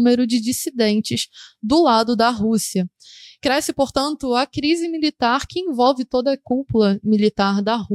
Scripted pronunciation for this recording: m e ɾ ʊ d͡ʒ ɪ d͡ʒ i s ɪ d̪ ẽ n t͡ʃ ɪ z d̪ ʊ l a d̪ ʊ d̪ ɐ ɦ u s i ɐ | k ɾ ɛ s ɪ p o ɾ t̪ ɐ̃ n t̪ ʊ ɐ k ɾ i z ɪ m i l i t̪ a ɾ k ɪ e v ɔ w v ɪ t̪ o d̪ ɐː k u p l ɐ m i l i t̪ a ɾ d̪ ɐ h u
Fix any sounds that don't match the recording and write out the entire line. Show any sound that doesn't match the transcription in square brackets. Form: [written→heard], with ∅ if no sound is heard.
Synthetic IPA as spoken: m e ɾ ʊ d͡ʒ ɪ d͡ʒ i s [ɪ→i] d̪ ẽ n t͡ʃ ɪ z d̪ ʊ l a d̪ ʊ d̪ ɐ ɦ u s i ɐ | k ɾ ɛ s ɪ p o ɾ t̪ ɐ̃ n t̪ ʊ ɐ k ɾ i z ɪ m i l i t̪ a ɾ k ɪ [e→ẽ] v ɔ w v ɪ t̪ o d̪ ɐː k u p l ɐ m i l i t̪ a ɾ d̪ ɐ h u